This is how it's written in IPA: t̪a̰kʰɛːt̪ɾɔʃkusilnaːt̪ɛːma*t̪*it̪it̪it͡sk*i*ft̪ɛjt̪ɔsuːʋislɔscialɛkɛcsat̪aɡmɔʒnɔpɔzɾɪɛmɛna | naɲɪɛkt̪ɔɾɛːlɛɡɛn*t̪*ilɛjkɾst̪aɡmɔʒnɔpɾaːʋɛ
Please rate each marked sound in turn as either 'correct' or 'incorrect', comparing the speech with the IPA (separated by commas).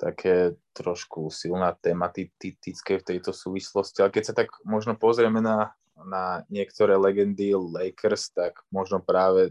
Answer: correct, incorrect, incorrect